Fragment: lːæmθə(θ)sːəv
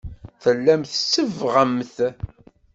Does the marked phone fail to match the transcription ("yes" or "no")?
yes